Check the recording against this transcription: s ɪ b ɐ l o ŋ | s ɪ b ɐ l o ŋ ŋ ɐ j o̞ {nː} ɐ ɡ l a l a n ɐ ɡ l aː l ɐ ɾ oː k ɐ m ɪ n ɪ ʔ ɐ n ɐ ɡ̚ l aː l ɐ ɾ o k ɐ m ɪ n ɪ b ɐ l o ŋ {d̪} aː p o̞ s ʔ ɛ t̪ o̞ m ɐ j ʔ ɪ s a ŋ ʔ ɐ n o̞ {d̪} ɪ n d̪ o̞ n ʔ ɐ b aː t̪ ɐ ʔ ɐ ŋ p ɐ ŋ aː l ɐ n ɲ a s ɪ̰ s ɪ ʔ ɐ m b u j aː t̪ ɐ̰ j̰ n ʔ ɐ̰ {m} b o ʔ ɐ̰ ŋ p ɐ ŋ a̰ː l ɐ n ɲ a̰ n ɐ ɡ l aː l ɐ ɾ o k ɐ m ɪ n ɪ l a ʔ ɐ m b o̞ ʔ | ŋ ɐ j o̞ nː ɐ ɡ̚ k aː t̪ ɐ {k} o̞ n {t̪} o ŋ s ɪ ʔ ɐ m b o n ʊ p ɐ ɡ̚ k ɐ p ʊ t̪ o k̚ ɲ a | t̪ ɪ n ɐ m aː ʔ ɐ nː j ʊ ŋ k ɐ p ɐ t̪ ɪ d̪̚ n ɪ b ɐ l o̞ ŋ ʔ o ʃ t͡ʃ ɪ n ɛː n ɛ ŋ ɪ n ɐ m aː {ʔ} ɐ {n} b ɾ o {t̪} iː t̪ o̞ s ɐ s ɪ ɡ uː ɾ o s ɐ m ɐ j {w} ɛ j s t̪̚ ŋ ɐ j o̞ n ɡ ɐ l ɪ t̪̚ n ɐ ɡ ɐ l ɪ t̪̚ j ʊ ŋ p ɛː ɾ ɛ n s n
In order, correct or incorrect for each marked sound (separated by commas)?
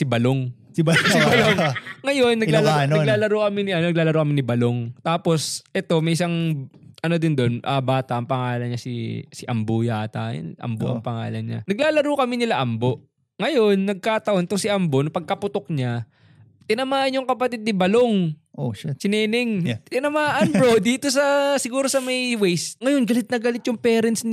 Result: correct, incorrect, correct, correct, incorrect, correct, correct, correct, incorrect, correct